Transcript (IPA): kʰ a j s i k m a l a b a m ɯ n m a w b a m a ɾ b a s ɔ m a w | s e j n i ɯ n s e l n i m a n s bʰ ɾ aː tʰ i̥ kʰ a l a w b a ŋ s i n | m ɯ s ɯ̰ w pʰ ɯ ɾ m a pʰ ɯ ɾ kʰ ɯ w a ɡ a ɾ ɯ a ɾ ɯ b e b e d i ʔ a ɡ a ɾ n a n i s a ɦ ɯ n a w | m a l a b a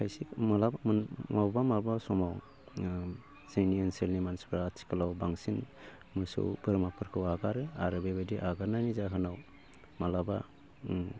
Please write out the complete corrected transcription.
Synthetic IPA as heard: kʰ a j s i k m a l a b a m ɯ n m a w b a m a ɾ b a s ɔ m a w | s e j n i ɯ n s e l n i m a n s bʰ ɾ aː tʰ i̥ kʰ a l a w b a ŋ s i n | m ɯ s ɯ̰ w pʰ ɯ ɾ m a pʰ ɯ ɾ kʰ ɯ w a ɡ a ɾ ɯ a ɾ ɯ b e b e d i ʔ a ɡ a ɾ n a n i z a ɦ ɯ n a w | m a l a b a

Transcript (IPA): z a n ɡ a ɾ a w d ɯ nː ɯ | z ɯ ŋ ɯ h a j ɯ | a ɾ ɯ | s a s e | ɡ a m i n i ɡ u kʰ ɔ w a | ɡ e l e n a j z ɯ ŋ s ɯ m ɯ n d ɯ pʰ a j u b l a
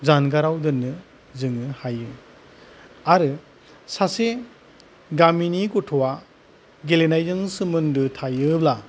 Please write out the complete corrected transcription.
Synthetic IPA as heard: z a n ɡ a ɾ a w d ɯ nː ɯ | z ɯ ŋ ɯ h a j ɯ | a ɾ ɯ | s a s e | ɡ a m i n i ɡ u tʰ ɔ w a | ɡ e l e n a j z ɯ ŋ s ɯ m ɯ n d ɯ tʰ a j ɯ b l a

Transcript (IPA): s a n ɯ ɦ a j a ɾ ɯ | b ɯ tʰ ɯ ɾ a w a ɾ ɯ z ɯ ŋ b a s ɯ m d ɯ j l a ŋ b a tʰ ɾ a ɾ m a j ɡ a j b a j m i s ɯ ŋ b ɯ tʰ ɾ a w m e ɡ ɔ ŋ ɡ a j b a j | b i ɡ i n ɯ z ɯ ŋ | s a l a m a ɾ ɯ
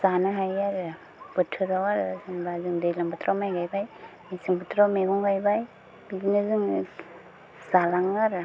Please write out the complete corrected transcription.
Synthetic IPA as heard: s a n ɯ ɦ a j a ɾ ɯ | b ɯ tʰ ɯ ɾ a w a ɾ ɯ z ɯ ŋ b a z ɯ ŋ d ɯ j l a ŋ b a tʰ ɾ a m a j ɡ a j b a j m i s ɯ ŋ b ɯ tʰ ɾ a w m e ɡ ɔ ŋ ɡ a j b a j | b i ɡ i n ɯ z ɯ ŋ | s a l a ŋ a ɾ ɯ

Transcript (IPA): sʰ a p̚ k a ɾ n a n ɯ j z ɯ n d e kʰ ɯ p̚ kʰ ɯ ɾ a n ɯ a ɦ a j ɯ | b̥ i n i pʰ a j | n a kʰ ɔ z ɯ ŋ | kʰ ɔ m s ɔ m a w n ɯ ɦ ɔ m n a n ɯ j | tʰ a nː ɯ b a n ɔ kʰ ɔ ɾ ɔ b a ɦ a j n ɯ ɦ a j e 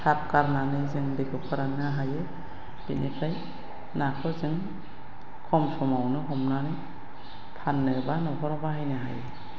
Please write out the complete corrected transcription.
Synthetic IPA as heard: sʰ a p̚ k a ɾ n a n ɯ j z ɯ ŋ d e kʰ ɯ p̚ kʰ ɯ ɾ a n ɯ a ɦ a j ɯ | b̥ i n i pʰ a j | n a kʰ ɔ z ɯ ŋ | kʰ ɔ m s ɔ m a w n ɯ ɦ ɔ m n a n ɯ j | pʰ a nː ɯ b a n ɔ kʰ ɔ ɾ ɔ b a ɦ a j n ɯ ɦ a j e

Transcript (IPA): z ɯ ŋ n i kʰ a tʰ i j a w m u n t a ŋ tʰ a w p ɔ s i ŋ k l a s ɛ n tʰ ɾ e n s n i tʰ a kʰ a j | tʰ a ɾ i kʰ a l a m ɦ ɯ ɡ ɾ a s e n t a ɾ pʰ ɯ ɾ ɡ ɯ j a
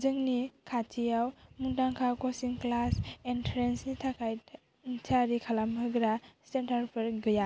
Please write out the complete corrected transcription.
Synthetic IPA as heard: z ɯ ŋ n i kʰ a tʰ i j a w m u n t a ŋ kʰ a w k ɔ s i ŋ k l a s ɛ n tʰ ɾ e n s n i tʰ a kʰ a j | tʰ a ɾ i kʰ a l a m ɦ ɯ ɡ ɾ a s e n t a ɾ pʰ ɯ ɾ ɡ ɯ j a

